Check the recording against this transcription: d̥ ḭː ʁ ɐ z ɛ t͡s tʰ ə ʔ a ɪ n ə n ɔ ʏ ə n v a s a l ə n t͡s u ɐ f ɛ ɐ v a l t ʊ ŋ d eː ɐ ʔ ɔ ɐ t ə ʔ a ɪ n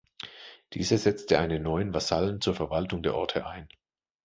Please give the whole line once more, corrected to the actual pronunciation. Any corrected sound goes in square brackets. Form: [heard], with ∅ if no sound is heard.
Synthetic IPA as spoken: d̥ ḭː [z] ɐ z ɛ t͡s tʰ ə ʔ a ɪ n ə n ɔ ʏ ə n v a s a l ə n t͡s [uː] ɐ f ɛ ɐ v a l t ʊ ŋ d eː ɐ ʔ ɔ ɐ [tʰ] ə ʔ a ɪ n

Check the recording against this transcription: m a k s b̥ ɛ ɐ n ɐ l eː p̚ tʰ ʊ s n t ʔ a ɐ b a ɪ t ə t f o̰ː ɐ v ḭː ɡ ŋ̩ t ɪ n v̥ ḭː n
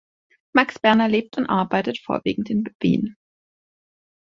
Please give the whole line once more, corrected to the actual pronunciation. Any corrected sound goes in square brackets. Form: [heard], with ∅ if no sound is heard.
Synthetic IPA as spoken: m a k s b̥ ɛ ɐ n ɐ l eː p̚ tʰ ʊ [∅] n t ʔ a ɐ b a ɪ t ə t f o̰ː ɐ v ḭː ɡ ŋ̩ t ɪ n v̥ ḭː n

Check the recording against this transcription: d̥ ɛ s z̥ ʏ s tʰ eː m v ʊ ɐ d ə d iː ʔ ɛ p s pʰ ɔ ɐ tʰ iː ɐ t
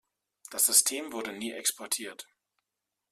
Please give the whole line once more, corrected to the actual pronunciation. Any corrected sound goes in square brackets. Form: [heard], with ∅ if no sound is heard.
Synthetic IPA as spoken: d̥ [a] s z̥ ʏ s tʰ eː m v ʊ ɐ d ə [n] iː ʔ ɛ [k] s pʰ ɔ ɐ tʰ iː ɐ t

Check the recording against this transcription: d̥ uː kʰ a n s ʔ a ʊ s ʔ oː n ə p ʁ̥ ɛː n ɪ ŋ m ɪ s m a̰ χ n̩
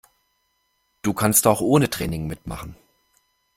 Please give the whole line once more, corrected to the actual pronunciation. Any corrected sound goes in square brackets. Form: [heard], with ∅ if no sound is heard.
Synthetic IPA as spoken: d̥ uː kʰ a n s [t] a ʊ [x] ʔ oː n ə [t] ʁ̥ ɛː n ɪ ŋ m ɪ [t] m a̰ χ n̩

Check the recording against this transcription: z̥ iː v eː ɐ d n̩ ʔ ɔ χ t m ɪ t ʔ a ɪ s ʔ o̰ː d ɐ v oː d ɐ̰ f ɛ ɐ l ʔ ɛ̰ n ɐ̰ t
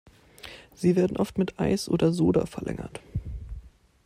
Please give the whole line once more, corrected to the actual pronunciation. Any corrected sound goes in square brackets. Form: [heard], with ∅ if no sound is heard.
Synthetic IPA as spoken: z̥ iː v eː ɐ d n̩ ʔ ɔ [f] t m ɪ t ʔ a ɪ s ʔ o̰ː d ɐ [z] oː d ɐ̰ f ɛ ɐ l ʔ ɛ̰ [ŋ] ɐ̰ t

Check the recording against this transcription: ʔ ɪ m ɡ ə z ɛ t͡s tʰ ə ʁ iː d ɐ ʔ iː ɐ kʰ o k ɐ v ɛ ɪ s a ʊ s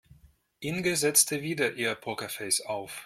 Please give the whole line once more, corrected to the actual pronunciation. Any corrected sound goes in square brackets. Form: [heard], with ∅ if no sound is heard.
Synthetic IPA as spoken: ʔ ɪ [n] ɡ ə z ɛ t͡s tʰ ə [v] iː d ɐ ʔ iː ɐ [pʰ] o k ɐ [f] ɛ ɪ s a ʊ [f]

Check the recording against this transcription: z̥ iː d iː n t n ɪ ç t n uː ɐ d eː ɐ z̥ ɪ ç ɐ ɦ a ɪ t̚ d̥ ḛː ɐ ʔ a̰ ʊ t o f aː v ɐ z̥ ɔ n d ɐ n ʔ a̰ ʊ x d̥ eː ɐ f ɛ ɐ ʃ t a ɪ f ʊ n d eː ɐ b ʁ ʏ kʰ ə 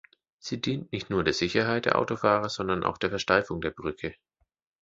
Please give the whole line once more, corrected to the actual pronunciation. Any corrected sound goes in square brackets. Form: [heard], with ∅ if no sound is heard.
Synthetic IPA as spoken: z̥ iː d iː n t n ɪ ç t n uː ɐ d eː ɐ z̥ ɪ ç ɐ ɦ a ɪ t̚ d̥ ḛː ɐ ʔ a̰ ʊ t o f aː [ʁ] ɐ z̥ ɔ n d ɐ n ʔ a̰ ʊ x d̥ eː ɐ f ɛ ɐ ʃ t a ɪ f ʊ [ŋ] d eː ɐ b ʁ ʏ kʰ ə

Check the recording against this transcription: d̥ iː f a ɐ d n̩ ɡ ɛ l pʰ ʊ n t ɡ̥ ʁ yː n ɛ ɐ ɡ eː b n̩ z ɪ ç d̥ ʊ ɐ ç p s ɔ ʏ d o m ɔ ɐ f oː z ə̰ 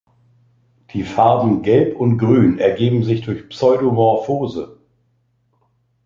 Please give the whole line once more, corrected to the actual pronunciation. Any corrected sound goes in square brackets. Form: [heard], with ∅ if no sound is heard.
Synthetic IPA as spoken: d̥ iː f a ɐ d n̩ ɡ ɛ l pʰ ʊ n t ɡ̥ ʁ yː n ɛ ɐ ɡ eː b [m̩] z ɪ ç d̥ ʊ ɐ ç p s ɔ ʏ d o m ɔ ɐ f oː z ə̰

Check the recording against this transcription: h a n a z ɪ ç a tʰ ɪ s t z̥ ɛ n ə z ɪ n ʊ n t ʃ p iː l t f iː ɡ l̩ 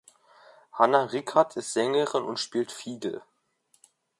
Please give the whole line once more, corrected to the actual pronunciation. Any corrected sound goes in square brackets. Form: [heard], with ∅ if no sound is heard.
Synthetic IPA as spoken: h a n a [ʁ] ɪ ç a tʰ ɪ s t z̥ ɛ [ŋ] ə [ʁ] ɪ n ʊ n t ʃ p iː l t f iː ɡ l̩

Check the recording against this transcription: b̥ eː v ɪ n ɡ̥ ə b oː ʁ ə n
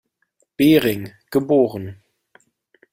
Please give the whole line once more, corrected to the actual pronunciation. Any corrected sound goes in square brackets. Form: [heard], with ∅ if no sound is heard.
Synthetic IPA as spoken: b̥ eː [ʁ] ɪ [ŋ] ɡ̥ ə b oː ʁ ə n

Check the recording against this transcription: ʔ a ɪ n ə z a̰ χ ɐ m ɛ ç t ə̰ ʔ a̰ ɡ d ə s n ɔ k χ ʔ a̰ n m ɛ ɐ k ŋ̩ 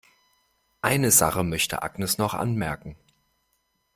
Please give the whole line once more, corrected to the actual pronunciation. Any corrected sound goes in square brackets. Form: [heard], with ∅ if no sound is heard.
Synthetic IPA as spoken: ʔ a ɪ n ə z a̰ χ [ə] m [œ] ç t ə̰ ʔ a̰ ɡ [n] ə s n ɔ [∅] χ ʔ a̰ n m ɛ ɐ k ŋ̩

